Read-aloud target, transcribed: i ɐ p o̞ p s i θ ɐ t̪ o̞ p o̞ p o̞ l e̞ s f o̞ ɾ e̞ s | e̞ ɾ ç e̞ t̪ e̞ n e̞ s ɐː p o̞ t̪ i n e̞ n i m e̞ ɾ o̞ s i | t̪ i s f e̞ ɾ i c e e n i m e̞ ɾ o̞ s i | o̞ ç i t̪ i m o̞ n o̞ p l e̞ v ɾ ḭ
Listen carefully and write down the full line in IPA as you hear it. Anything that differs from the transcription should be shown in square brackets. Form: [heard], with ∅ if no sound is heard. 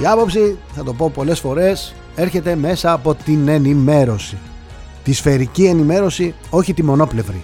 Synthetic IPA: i ɐ p o̞ p s i θ ɐ t̪ o̞ p o̞ p o̞ l e̞ s f o̞ ɾ e̞ s | e̞ ɾ ç e̞ t̪ e̞ [m] e̞ s ɐː p o̞ t̪ i n e̞ n i m e̞ ɾ o̞ s i | t̪ i s f e̞ ɾ i c [i] e n i m e̞ ɾ o̞ s i | o̞ ç i t̪ i m o̞ n o̞ p l e̞ v ɾ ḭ